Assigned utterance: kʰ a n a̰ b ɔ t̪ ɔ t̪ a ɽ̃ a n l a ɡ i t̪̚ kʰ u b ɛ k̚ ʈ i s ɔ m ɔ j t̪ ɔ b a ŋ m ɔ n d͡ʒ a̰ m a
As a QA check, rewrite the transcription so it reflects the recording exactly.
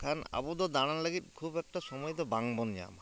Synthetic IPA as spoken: kʰ a n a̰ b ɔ d̪ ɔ d̪ a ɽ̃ a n l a ɡ i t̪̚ kʰ u b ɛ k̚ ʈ a s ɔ m ɔ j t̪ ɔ b a ŋ b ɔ n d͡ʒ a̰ m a